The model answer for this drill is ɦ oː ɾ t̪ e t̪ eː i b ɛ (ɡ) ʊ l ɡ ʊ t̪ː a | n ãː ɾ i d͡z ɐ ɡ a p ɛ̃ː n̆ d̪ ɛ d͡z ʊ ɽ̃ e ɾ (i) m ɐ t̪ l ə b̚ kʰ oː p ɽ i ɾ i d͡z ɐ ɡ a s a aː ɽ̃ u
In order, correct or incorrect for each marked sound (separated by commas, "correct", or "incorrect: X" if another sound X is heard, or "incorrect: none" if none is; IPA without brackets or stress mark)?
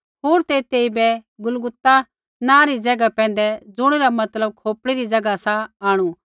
correct, incorrect: a